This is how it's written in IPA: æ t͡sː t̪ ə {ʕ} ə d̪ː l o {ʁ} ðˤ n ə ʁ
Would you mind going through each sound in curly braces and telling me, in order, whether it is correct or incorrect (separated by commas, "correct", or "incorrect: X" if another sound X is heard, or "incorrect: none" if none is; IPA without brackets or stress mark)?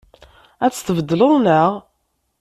incorrect: v, incorrect: none